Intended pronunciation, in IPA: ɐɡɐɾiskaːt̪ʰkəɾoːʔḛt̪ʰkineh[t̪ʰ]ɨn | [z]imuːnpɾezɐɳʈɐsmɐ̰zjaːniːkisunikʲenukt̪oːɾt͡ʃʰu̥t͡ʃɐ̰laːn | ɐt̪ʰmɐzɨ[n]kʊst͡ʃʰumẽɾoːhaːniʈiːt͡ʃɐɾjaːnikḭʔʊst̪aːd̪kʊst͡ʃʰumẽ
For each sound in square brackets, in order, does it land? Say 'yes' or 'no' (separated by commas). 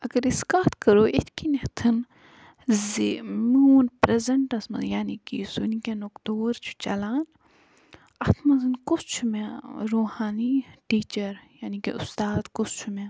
yes, yes, yes